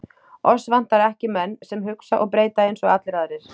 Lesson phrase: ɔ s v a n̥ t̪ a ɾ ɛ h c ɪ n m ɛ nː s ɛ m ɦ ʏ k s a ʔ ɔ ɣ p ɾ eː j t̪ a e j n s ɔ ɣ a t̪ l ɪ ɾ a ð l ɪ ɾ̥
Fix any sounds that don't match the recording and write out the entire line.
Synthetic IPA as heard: ɔ s v a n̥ t̪ a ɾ ɛ h c ɪ m ɛ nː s ɛ m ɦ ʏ k s a ʔ ɔ ɣ p ɾ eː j t̪ a e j n s ɔ ɣ a t̪ l ɪ ɾ a ð ɾ ɪ ɾ̥